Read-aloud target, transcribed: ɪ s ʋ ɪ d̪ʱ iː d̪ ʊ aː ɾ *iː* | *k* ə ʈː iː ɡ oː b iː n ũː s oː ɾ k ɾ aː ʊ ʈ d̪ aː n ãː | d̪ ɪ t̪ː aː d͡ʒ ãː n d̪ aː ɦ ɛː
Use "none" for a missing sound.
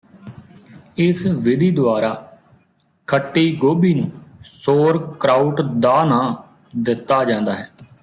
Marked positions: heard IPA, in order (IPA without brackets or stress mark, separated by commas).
aː, kʰ